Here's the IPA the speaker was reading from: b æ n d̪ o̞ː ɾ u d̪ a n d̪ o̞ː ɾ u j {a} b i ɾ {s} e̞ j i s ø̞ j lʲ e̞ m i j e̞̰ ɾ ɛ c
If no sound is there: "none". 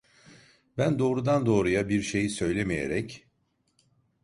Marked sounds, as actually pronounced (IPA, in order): a, ʃ

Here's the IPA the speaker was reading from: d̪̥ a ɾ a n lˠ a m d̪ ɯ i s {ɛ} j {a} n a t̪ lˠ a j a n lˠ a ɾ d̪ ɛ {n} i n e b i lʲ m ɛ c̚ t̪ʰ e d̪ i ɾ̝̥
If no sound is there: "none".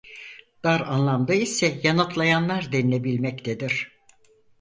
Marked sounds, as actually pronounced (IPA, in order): ɛ, a, n

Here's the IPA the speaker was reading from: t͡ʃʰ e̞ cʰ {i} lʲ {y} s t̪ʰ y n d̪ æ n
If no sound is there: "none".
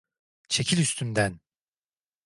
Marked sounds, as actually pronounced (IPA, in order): i, y

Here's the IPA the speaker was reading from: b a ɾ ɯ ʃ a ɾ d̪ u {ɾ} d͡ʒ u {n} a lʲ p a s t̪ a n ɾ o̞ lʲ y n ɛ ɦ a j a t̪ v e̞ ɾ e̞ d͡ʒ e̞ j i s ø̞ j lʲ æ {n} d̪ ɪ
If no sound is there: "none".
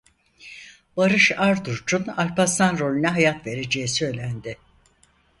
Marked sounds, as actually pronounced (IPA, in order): ɾ, n, n

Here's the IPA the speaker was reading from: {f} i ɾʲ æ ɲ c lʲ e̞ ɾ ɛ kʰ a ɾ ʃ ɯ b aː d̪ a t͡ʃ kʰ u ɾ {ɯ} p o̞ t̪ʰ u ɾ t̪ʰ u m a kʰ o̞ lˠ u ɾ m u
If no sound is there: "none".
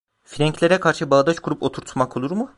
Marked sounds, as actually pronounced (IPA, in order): f, u

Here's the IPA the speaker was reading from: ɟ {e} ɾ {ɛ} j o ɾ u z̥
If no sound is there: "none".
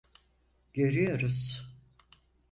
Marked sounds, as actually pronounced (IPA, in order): e, i

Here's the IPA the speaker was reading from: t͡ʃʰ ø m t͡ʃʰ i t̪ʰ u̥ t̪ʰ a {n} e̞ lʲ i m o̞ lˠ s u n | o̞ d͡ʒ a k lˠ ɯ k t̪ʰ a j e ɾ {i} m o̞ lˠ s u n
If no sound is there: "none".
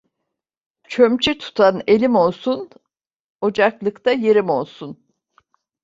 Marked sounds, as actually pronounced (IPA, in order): n, i

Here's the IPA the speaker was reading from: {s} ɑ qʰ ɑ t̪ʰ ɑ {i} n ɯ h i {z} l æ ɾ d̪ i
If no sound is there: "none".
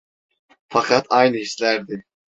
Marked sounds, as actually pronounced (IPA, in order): f, j, s

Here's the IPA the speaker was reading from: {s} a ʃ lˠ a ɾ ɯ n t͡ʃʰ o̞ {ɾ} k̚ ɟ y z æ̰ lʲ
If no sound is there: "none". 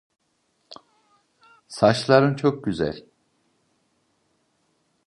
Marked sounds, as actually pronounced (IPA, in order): s, none

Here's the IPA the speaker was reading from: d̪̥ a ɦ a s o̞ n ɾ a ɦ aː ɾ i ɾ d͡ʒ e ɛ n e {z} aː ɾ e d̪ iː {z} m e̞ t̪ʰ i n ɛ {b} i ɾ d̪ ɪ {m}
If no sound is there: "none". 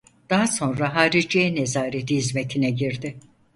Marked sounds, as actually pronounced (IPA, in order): z, z, ɟ, none

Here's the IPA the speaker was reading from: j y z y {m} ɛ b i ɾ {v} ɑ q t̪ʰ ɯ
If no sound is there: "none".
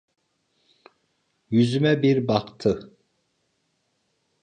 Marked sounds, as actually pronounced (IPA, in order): m, b

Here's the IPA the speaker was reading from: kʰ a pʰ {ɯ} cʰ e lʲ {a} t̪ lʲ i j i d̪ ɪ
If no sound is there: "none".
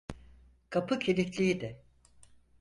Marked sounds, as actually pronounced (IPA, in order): ɯ, i

